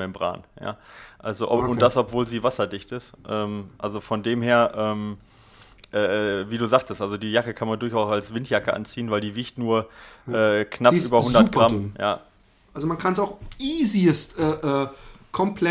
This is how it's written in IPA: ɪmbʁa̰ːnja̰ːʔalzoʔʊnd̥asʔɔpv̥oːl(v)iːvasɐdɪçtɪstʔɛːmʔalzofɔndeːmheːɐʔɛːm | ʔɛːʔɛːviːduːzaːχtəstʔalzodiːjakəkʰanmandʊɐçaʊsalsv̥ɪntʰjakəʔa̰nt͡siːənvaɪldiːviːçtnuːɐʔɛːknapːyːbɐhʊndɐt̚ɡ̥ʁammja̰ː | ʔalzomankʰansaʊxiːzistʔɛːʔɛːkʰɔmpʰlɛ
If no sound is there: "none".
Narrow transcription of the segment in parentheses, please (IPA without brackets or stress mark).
z